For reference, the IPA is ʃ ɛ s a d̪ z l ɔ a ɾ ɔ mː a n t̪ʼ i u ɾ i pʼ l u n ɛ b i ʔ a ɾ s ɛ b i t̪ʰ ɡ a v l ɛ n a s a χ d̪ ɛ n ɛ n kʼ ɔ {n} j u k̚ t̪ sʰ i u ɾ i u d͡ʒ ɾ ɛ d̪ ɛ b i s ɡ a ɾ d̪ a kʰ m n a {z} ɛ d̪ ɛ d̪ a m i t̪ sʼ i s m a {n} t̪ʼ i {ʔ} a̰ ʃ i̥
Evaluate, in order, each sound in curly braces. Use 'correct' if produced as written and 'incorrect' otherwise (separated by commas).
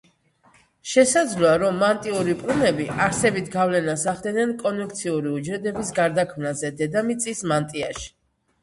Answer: correct, correct, correct, incorrect